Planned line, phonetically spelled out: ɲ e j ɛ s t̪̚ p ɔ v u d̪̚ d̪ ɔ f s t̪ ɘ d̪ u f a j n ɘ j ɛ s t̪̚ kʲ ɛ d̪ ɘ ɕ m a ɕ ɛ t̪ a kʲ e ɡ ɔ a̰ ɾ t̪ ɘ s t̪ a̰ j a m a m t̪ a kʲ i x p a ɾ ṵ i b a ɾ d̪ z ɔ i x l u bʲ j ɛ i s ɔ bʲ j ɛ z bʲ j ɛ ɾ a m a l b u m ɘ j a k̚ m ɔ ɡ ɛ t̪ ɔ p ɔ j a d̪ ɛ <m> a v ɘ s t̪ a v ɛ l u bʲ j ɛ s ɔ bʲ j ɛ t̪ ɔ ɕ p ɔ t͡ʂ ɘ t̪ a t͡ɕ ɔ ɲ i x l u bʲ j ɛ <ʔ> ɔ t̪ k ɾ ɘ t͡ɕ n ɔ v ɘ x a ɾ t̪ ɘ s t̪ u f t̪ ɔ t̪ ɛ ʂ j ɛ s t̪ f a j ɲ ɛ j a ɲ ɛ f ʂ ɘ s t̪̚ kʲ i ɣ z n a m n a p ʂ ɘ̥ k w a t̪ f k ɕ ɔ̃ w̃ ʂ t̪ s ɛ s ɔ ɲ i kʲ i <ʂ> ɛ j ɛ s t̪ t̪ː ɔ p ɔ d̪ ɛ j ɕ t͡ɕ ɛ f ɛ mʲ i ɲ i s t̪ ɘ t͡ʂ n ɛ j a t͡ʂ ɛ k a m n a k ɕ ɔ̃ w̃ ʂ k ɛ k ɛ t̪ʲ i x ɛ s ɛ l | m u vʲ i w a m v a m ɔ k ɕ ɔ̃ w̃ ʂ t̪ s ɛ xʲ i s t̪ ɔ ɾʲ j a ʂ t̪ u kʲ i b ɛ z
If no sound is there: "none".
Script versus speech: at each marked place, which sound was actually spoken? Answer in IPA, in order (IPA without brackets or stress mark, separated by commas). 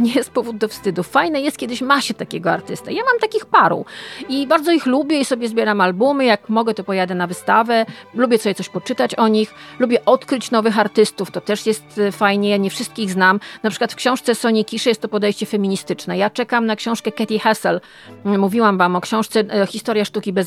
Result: n, ʔ, ʂ